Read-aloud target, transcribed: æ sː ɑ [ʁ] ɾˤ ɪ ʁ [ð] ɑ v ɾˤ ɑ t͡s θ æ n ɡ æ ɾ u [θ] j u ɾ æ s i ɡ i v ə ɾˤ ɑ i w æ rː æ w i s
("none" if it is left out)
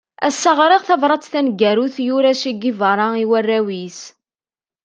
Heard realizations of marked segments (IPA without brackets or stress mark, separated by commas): ʁ, θ, θ